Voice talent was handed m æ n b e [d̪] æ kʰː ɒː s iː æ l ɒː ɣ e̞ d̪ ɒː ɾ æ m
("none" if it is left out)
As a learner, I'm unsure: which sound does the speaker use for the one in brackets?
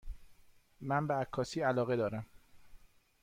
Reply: none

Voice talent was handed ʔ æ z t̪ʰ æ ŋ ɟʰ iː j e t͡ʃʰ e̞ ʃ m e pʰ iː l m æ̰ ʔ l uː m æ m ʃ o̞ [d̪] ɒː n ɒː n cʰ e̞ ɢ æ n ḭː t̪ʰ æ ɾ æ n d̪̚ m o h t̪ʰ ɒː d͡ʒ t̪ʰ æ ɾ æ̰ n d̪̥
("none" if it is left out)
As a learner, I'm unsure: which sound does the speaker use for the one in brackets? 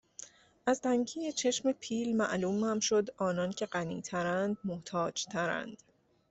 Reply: d̪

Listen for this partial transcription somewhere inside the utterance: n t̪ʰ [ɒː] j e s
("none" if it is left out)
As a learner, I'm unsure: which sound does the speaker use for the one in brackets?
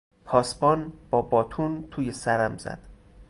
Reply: uː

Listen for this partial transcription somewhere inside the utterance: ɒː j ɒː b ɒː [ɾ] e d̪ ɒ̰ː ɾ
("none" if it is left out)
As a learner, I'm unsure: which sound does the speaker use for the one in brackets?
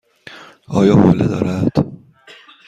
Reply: l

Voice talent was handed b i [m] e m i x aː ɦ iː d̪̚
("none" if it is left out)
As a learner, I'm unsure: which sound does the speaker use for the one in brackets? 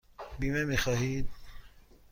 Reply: m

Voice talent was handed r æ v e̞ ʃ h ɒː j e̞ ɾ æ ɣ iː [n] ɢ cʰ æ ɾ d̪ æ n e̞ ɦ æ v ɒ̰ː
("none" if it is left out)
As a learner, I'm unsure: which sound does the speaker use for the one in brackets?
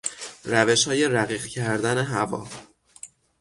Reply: none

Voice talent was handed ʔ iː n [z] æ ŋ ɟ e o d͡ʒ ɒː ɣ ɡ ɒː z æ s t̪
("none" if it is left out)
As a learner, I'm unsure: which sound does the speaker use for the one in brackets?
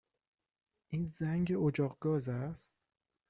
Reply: z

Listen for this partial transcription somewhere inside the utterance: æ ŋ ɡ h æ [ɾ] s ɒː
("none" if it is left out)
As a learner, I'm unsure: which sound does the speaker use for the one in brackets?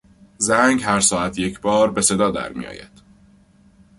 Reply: ɾ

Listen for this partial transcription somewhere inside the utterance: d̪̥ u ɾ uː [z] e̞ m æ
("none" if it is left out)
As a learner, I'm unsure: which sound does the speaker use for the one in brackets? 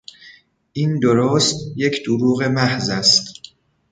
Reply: ɣ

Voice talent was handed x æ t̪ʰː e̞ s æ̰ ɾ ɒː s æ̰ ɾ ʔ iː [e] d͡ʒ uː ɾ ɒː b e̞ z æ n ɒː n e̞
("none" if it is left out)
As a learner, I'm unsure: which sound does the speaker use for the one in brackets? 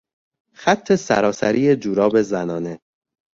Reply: e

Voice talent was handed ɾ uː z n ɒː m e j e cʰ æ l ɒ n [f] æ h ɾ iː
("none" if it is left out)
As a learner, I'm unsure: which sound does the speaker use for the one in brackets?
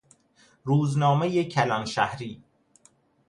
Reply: ʃ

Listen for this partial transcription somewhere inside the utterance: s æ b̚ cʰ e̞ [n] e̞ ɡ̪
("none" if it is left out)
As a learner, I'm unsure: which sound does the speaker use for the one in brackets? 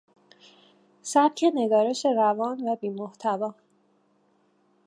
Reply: n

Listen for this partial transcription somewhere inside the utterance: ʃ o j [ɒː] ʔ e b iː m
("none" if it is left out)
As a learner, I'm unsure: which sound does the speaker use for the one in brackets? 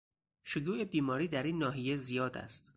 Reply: uː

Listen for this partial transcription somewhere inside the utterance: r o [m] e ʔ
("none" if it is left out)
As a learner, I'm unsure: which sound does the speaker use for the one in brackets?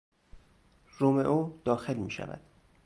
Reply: m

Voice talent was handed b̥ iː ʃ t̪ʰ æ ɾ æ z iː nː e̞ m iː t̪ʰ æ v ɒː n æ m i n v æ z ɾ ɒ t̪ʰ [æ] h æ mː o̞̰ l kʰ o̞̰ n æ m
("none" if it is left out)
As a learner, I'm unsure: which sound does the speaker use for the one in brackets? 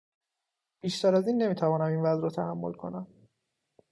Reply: æ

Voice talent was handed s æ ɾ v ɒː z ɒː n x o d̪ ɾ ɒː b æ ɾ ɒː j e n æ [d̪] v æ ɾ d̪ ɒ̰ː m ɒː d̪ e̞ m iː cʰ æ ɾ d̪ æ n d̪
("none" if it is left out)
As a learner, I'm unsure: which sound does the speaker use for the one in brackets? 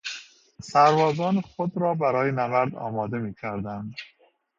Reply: none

